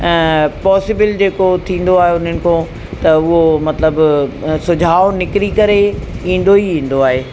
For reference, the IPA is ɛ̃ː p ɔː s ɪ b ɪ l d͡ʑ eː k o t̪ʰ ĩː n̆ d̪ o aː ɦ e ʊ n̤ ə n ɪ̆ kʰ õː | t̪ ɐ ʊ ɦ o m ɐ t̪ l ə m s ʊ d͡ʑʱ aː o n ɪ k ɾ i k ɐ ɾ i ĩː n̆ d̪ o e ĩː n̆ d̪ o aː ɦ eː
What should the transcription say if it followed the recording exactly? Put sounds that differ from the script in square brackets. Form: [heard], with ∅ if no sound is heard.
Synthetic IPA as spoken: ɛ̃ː p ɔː s ɪ b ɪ l d͡ʑ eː k o t̪ʰ ĩː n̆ d̪ o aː ɦ e ʊ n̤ ə n ɪ̆ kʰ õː | t̪ ɐ ʊ ɦ o m ɐ t̪ l ə [b] s ʊ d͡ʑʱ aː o n ɪ k ɾ i k ɐ ɾ [e] ĩː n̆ d̪ o [i] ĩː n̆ d̪ o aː ɦ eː